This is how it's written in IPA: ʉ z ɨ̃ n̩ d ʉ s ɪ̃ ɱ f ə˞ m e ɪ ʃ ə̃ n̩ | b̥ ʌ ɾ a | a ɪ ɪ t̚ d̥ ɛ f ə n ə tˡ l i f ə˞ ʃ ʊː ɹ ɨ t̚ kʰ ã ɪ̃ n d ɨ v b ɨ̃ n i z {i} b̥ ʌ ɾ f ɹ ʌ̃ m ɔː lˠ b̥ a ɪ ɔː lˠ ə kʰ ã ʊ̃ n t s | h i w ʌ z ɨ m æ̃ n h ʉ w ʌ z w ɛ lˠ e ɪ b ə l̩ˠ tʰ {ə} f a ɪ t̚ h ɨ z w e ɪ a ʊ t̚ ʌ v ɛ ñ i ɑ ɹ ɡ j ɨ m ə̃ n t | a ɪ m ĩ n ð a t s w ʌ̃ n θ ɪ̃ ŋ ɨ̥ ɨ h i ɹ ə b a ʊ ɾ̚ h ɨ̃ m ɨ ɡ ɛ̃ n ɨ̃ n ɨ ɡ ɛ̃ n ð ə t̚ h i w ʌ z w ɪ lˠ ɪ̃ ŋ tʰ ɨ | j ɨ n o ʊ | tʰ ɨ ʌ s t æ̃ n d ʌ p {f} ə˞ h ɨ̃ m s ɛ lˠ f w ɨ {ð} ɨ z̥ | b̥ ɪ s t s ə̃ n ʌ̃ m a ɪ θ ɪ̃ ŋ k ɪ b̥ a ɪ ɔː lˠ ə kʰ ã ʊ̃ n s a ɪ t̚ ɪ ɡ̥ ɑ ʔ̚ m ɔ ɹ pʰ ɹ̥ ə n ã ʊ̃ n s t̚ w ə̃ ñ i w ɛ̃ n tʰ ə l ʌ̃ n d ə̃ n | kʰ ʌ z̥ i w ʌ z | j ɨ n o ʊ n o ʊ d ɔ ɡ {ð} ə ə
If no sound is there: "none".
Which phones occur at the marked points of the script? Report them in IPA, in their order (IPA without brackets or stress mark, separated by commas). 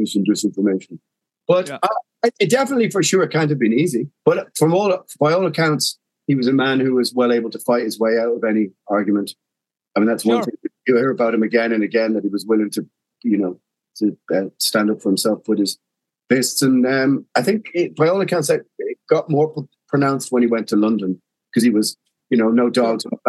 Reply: i, ə, f, ð, z